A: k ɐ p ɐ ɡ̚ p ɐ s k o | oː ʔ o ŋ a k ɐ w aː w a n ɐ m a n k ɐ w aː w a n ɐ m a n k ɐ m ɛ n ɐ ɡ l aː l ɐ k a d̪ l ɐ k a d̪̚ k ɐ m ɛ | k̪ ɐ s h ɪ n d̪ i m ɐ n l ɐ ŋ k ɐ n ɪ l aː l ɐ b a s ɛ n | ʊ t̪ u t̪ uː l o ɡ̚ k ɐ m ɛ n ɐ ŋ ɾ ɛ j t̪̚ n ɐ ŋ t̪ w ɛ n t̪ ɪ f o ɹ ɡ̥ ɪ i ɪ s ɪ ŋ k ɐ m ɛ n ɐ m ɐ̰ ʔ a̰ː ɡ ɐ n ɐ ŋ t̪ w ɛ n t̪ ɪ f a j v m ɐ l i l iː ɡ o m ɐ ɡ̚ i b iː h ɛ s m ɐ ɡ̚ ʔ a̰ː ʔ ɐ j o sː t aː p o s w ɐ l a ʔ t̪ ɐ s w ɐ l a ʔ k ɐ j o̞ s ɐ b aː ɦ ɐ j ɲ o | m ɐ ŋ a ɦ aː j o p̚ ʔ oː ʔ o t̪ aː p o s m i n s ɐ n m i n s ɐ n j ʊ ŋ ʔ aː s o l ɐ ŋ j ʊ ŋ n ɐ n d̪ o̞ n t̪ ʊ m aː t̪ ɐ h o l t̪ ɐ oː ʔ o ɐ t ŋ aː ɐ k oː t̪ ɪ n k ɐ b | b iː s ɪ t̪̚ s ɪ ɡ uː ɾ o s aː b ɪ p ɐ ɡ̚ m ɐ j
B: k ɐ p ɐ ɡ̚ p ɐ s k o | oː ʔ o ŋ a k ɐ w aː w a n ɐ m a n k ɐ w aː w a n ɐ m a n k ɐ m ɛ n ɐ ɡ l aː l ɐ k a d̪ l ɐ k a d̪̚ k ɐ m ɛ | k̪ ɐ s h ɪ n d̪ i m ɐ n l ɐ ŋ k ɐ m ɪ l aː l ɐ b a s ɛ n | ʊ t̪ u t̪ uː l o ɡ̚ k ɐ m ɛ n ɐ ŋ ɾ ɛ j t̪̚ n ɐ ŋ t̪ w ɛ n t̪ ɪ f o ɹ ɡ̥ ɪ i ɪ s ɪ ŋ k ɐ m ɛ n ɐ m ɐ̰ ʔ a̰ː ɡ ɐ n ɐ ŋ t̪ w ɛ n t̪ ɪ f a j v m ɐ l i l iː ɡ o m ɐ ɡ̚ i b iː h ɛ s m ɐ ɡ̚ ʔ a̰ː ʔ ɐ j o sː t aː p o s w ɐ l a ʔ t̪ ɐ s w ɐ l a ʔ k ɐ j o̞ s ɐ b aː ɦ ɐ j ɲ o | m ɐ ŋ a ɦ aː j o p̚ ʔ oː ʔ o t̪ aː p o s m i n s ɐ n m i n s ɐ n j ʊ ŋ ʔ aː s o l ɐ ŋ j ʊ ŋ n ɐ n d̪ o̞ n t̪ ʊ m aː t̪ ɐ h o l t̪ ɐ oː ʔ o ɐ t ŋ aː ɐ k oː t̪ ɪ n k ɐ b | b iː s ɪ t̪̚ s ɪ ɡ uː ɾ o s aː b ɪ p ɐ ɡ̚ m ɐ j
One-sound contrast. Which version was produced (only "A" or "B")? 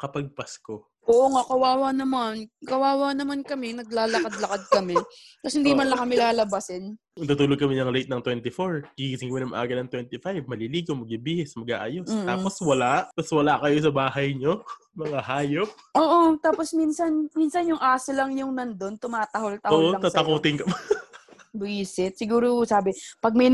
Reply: B